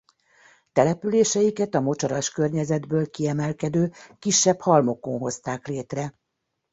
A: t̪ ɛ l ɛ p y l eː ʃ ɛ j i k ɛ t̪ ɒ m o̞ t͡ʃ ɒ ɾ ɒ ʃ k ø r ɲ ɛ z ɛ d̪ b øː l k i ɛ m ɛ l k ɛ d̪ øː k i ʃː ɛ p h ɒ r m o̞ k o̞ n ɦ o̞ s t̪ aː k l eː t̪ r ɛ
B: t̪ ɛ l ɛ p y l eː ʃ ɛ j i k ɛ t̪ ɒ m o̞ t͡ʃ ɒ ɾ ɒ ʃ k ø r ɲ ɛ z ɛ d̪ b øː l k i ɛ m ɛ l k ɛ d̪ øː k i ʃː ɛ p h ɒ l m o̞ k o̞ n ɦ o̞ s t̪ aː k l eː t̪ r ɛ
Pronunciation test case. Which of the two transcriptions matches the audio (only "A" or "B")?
B